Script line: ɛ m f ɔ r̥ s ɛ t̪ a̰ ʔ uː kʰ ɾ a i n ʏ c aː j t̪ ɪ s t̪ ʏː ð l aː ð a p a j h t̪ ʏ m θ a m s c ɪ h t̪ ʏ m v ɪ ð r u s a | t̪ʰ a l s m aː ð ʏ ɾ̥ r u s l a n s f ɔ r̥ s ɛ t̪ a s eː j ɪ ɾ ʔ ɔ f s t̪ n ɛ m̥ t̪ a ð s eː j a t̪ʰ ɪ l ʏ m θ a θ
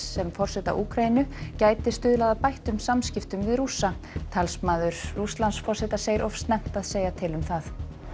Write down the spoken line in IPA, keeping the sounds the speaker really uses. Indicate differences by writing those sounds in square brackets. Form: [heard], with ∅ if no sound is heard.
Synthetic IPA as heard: ɛ m f ɔ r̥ s ɛ t̪ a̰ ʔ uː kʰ ɾ a i n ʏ c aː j t̪ ɪ s t̪ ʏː ð l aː ð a p a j h t̪ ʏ m [s] a m s c ɪ [f] t̪ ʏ m v ɪ ð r u s a | t̪ʰ a l s m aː ð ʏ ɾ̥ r u s l a n s f ɔ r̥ s ɛ t̪ a s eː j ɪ ɾ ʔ ɔ f s t̪ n ɛ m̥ t̪ a ð s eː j a t̪ʰ ɪ l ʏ m θ a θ